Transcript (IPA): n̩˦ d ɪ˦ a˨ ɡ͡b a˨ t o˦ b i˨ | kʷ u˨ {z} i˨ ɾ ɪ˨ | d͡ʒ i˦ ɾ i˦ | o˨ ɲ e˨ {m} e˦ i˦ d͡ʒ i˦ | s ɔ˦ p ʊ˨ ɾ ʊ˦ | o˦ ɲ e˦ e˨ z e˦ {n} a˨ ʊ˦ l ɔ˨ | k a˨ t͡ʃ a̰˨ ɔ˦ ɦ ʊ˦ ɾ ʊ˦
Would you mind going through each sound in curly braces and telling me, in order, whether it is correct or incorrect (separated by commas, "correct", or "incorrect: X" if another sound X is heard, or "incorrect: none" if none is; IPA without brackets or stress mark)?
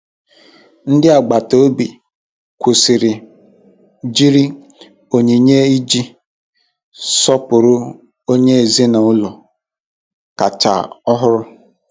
incorrect: s, incorrect: ɲ, correct